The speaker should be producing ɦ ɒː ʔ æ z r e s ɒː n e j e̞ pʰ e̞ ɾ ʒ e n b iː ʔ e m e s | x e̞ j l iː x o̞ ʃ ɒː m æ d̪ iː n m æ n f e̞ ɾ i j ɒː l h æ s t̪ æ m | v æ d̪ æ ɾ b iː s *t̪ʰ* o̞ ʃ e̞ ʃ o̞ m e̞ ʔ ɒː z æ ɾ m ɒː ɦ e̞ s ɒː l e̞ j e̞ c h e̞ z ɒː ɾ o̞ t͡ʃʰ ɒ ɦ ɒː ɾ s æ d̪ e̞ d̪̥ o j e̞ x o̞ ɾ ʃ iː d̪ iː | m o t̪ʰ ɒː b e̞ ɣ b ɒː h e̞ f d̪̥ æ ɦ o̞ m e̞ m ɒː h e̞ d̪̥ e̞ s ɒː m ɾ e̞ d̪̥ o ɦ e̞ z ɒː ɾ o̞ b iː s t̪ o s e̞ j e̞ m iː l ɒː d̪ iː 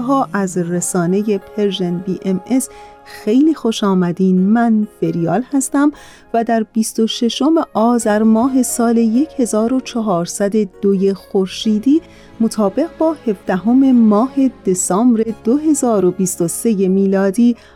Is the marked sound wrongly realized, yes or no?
yes